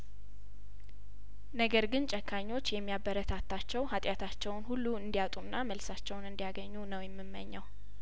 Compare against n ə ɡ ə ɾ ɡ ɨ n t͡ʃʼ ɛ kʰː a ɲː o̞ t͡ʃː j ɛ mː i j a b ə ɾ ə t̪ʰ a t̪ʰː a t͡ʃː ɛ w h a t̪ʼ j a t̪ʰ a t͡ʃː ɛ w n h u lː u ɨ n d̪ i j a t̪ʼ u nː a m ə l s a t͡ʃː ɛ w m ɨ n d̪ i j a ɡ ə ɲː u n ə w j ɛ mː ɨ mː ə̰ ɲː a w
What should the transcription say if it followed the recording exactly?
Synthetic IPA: n ə ɡ ə ɾ ɡ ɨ n t͡ʃʼ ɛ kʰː a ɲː o̞ t͡ʃː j ɛ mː i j a b ə ɾ ə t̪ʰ a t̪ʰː a t͡ʃː ɛ w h a t̪ʼ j a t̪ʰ a t͡ʃː ɛ w n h u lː u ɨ n d̪ i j a t̪ʼ u nː a m ə l s a t͡ʃː ɛ w n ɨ n d̪ i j a ɡ ə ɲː u n ə w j ɛ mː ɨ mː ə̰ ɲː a w